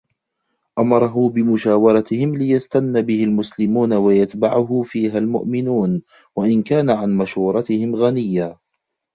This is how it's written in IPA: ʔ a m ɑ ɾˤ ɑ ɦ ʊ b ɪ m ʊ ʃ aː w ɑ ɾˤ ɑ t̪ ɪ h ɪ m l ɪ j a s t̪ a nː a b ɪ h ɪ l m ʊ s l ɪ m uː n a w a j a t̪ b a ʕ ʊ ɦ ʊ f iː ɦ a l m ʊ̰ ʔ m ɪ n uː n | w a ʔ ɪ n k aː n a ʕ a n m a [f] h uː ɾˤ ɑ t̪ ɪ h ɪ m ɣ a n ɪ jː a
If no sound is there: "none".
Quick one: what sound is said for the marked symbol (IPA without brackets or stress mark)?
ʃ